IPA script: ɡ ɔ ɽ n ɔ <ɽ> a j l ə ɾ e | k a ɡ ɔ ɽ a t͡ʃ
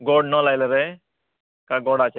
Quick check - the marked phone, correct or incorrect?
incorrect